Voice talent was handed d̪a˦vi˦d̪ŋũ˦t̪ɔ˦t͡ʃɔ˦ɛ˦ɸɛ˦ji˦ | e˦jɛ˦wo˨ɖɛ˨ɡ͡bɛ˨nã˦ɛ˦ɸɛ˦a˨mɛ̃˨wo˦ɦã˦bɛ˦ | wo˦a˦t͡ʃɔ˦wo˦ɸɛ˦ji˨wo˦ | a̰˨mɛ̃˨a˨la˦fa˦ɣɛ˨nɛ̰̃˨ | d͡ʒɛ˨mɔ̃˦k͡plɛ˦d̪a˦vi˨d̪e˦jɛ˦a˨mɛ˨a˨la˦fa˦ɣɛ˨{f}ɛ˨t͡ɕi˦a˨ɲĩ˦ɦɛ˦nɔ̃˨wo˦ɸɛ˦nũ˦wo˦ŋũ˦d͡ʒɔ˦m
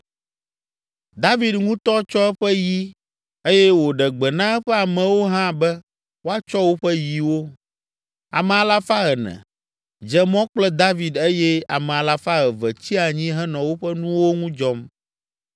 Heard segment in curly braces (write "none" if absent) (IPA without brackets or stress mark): v